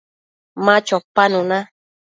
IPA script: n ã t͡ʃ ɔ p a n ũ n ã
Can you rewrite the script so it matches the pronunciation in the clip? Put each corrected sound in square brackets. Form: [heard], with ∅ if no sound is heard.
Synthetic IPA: [m] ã t͡ʃ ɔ p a n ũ n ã